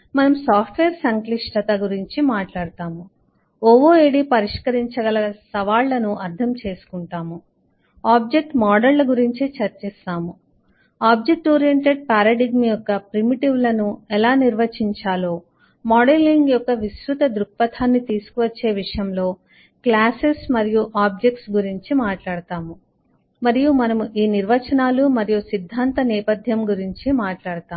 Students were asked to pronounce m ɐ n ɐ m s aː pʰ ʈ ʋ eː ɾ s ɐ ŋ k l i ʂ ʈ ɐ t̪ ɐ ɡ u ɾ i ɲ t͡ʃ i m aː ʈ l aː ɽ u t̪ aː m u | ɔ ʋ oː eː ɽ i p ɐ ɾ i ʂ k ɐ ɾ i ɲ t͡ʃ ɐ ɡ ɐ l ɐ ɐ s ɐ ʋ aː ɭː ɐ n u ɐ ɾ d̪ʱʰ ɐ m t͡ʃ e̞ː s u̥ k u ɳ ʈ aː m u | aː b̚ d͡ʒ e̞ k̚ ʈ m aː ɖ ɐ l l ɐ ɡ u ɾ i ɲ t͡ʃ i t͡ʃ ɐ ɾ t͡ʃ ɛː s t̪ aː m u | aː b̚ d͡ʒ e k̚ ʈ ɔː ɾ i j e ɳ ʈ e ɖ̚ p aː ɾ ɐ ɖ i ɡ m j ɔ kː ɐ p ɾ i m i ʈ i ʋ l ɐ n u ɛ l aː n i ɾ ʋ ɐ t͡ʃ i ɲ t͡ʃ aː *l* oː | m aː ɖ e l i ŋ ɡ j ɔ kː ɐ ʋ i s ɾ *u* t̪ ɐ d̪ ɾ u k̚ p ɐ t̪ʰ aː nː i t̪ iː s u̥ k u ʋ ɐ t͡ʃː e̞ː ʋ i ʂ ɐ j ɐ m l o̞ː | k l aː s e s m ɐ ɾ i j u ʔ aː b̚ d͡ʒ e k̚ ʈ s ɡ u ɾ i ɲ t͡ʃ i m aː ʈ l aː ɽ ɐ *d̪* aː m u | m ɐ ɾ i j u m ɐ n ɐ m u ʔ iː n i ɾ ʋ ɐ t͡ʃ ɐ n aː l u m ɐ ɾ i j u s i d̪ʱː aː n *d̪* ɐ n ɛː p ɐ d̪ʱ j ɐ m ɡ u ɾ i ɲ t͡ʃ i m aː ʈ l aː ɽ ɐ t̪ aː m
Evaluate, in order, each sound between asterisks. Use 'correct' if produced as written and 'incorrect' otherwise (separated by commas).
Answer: correct, correct, incorrect, incorrect